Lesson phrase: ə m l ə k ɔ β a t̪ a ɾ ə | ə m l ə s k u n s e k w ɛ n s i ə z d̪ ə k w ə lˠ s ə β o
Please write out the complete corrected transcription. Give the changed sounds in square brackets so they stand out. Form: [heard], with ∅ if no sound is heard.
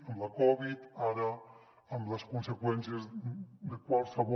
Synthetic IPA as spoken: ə m l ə k ɔ β [i] t̪ a ɾ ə | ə m l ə s k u n s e k w ɛ n s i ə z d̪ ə k w [a] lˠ s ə β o